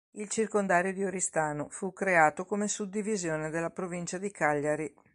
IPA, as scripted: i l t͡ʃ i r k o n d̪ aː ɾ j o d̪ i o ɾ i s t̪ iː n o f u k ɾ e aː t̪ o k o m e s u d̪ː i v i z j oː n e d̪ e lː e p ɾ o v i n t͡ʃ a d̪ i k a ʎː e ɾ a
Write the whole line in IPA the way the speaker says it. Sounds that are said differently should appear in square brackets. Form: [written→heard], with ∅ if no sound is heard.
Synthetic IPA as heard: i l t͡ʃ i r k o n d̪ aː ɾ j o d̪ i o ɾ i s t̪ [iː→aː] n o f u k ɾ e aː t̪ o k o m e s u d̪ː i v i z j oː n e d̪ e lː [e→a] p ɾ o v i n t͡ʃ a d̪ i k a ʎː [e→a] ɾ [a→i]